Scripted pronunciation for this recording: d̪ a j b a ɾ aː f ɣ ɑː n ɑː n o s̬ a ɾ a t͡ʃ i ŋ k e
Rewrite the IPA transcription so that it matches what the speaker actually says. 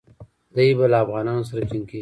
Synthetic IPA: d̪ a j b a l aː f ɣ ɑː n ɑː n o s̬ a ɾ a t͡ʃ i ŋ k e